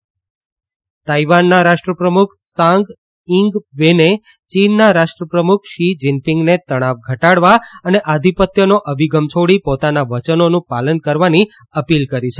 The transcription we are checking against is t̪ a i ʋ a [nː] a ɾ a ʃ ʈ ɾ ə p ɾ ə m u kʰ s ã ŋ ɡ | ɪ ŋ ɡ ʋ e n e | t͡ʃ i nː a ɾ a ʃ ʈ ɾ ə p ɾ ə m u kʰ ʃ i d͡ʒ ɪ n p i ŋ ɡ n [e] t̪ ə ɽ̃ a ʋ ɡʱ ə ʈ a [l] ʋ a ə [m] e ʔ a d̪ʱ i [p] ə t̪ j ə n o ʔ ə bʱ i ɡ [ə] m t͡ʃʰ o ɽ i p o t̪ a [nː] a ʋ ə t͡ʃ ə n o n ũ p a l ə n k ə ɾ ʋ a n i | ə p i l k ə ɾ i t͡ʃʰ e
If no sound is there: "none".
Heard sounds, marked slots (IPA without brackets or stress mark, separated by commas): nː, e, ɽ, n, p, ə, n